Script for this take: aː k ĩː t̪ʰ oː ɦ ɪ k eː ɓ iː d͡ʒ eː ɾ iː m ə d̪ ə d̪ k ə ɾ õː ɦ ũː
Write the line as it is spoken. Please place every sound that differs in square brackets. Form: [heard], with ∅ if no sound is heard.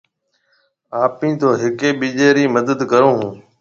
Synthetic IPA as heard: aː [p] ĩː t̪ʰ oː ɦ ɪ k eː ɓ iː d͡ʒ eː ɾ iː m ə d̪ ə d̪ k ə ɾ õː ɦ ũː

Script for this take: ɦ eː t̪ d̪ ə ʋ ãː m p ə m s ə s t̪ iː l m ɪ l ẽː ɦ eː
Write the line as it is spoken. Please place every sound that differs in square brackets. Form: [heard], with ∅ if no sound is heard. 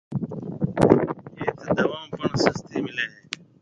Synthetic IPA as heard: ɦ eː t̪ d̪ ə ʋ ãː m p ə [ɳ] s ə s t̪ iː [∅] m ɪ l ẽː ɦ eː

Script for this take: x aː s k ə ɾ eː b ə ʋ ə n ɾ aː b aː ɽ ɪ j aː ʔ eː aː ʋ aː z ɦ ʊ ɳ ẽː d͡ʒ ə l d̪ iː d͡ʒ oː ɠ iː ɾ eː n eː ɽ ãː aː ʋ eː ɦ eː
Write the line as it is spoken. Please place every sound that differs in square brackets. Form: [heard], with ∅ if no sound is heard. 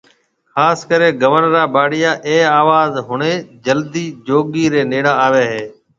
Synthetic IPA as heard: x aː s k ə ɾ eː [ɡ] ə ʋ ə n ɾ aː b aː ɽ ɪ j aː ʔ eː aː ʋ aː z ɦ ʊ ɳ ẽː d͡ʒ ə l d̪ iː d͡ʒ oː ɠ iː ɾ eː n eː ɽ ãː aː ʋ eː ɦ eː

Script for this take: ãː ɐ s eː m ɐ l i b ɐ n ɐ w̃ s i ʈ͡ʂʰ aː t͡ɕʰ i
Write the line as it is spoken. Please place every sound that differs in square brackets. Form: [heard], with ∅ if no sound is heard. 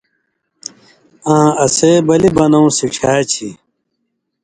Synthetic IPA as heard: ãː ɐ s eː [b] ɐ l i b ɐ n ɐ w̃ s i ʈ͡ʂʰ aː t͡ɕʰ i

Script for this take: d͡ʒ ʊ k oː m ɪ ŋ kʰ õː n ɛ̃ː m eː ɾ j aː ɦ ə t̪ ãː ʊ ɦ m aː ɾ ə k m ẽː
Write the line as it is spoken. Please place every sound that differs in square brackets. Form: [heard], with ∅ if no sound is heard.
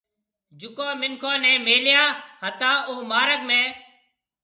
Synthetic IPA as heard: d͡ʒ ʊ k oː m ɪ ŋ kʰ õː n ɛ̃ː m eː [l] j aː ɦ ə t̪ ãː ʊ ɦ m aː ɾ ə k m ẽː

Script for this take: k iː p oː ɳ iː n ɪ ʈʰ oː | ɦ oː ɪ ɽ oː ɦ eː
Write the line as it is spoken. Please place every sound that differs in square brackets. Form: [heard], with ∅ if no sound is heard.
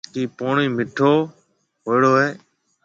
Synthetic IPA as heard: k iː p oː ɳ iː [m] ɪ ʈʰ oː | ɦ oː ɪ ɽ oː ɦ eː

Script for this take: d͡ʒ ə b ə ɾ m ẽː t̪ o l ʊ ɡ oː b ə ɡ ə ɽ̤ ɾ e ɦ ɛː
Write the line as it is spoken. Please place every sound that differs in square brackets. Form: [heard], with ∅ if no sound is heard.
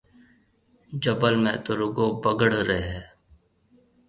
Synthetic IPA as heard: d͡ʒ ə b ə [l] m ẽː t̪ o [ɾ] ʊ ɡ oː b ə ɡ ə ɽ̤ ɾ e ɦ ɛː

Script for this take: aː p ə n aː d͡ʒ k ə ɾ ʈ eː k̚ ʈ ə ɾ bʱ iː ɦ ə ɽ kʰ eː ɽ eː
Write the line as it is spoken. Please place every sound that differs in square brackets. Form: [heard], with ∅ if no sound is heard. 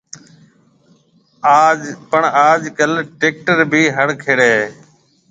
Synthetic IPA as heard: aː p ə [ɳ] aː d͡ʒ k ə [l] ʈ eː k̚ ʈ ə ɾ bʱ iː ɦ ə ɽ kʰ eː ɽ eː

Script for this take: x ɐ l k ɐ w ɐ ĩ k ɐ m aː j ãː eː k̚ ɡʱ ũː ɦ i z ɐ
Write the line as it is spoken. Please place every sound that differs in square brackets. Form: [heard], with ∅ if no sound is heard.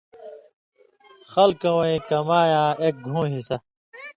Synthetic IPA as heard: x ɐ l k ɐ w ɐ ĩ k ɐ m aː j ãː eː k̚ ɡʱ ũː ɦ i [s] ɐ

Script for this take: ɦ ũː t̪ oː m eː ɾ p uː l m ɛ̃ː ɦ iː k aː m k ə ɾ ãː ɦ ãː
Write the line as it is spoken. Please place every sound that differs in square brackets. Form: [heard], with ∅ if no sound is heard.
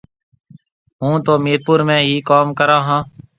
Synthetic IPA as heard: ɦ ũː t̪ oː m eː ɾ p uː [ɾ] m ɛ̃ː ɦ iː k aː m k ə ɾ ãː ɦ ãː

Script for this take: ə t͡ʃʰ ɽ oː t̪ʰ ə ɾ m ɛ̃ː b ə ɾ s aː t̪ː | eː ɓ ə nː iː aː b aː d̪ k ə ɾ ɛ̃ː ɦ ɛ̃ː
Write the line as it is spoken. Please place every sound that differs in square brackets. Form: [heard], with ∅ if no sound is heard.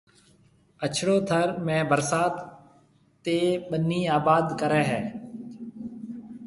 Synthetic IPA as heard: ə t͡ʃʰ ɽ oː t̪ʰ ə ɾ m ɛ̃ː b ə ɾ s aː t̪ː | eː ɓ ə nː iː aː b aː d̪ k ə ɾ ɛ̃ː ɦ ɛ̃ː

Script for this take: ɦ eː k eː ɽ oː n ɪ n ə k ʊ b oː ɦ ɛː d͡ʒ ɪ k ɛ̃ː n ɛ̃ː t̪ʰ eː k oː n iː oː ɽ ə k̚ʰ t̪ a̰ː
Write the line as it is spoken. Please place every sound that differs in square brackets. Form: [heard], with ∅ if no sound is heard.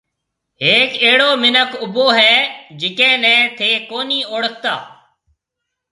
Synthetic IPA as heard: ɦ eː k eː ɽ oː [m] ɪ n ə k ʊ b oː ɦ ɛː d͡ʒ ɪ k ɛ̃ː n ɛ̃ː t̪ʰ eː k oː n iː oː ɽ ə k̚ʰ t̪ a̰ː

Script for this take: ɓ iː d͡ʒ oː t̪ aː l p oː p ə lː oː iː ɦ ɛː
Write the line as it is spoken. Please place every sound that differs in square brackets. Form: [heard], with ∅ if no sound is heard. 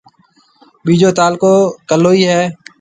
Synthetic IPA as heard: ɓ iː d͡ʒ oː t̪ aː l [k] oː [k] ə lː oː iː ɦ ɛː

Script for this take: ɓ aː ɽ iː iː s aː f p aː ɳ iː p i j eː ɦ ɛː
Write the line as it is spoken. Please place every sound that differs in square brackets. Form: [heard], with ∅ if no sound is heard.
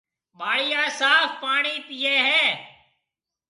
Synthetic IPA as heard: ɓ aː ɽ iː [aː] s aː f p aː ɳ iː p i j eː ɦ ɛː

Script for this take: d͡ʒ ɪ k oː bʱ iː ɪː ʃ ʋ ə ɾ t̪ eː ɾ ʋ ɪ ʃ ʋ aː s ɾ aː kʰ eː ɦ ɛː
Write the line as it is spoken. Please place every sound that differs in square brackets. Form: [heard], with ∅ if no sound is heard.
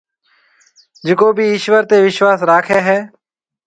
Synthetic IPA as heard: d͡ʒ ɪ k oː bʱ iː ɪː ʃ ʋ ə ɾ t̪ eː [∅] ʋ ɪ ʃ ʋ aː s ɾ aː kʰ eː ɦ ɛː

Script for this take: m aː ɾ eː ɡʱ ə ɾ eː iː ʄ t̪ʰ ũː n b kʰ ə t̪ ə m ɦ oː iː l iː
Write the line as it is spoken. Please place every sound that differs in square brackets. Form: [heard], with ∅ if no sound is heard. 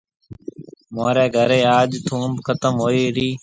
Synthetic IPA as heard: m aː ɾ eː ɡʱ ə ɾ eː [aː] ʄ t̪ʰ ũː [m] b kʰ ə t̪ ə m ɦ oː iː [ɾ] iː

